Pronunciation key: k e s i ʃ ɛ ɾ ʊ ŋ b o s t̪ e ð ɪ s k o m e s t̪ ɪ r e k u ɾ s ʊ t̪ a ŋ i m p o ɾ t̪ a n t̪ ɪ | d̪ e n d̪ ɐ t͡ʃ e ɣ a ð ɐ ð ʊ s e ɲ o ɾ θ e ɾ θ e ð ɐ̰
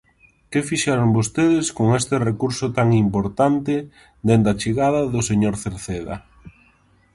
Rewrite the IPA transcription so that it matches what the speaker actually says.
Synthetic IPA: k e f i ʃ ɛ ɾ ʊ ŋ b o s t̪ e ð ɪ s k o ŋ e s t̪ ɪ r e k u ɾ s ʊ t̪ a ŋ i m p o ɾ t̪ a n t̪ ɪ | d̪ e n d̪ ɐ t͡ʃ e ɣ a ð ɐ ð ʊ s e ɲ o ɾ θ e ɾ θ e ð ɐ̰

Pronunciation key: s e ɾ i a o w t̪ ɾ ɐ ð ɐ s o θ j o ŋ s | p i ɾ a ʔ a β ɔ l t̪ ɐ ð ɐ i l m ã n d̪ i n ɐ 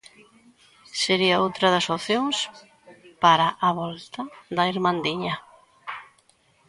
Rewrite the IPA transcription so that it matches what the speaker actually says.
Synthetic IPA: s e ɾ i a o w t̪ ɾ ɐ ð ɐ s o θ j o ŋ s | p a ɾ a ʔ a β ɔ l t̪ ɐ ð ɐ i ɾ m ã n d̪ i ɲ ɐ

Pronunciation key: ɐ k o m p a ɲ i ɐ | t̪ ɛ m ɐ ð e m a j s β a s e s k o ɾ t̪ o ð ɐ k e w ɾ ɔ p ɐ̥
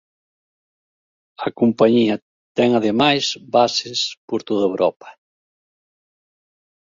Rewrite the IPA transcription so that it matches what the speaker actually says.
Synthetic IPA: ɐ k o m p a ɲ i ɐ | t̪ ɛ ŋ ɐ ð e m a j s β a s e s p o ɾ t̪ o ð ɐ e w ɾ ɔ p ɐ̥

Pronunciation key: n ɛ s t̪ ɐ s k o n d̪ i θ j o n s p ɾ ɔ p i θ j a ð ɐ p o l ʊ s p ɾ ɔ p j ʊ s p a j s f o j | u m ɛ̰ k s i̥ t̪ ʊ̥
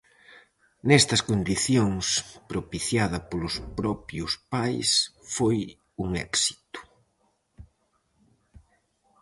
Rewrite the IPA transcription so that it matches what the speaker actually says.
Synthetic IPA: n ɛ s t̪ ɐ s k o n d̪ i θ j o ŋ s p ɾ o p i θ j a ð ɐ p o l ʊ s p ɾ ɔ p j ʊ s p a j s f o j | u ŋ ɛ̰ k s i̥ t̪ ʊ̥

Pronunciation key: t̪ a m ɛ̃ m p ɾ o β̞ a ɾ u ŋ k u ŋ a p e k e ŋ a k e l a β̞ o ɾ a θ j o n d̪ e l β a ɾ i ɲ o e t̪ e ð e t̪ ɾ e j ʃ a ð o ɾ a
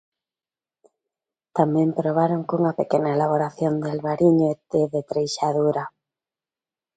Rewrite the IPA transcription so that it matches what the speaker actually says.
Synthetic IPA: t̪ a m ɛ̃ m p ɾ o β̞ a ɾ o ŋ k u ŋ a p e k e n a e l a β̞ o ɾ a θ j o n d̪ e l β a ɾ i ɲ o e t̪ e ð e t̪ ɾ e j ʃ a ð u ɾ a

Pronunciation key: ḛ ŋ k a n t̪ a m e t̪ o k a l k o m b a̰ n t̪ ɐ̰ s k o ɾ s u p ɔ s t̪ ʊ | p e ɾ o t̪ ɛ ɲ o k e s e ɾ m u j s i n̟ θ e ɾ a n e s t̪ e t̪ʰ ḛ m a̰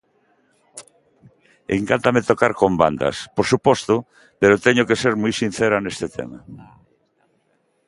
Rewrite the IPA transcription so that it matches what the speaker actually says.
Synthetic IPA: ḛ ŋ k a n t̪ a m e t̪ o k a ɾ k o m b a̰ n d̪ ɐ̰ s p o ɾ s u p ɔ s t̪ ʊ | p e ɾ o t̪ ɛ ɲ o k e s e ɾ m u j s i n̟ θ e ɾ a n e s t̪ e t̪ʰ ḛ m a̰

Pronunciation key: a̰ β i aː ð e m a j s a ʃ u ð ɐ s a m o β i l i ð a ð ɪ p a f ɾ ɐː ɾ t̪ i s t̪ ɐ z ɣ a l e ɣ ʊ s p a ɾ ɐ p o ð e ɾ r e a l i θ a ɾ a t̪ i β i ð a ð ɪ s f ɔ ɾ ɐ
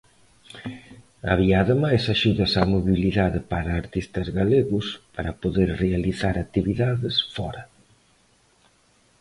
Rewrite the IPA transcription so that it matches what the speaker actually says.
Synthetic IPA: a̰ β i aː ð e m a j s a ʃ u ð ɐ s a m o β i l i ð a ð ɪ p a ɾ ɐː ɾ t̪ i s t̪ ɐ z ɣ a l e ɣ ʊ s p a ɾ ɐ p o ð e ɾ r e a l i θ a ɾ a t̪ i β i ð a ð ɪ s f ɔ ɾ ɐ

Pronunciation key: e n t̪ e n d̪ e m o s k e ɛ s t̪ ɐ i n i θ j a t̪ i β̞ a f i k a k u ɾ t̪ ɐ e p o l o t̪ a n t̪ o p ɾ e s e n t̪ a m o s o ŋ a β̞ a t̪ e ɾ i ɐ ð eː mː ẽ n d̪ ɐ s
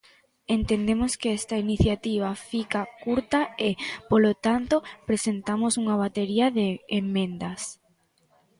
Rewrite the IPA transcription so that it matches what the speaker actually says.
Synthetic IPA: e n t̪ e n d̪ e m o s k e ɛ s t̪ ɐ i n i θ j a t̪ i β̞ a f i k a k u ɾ t̪ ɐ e p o l o t̪ a n t̪ o p ɾ e s e n t̪ a m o s u ŋ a β̞ a t̪ e ɾ i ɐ ð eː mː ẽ n d̪ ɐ s

